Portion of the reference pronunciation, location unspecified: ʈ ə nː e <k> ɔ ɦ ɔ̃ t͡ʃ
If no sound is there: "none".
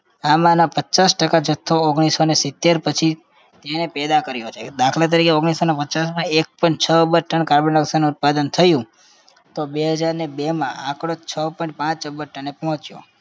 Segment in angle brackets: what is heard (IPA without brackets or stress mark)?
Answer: p